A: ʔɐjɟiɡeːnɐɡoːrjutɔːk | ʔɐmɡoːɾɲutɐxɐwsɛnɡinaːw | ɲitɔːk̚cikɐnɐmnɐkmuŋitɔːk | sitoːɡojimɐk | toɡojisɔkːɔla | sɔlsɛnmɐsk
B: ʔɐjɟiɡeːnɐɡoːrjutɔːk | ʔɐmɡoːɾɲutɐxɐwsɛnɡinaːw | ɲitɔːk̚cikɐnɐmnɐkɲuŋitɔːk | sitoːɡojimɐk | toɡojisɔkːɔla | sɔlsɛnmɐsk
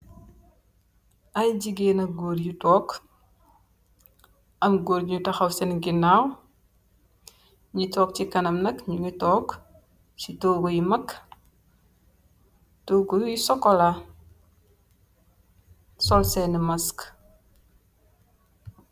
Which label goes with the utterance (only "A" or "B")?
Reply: B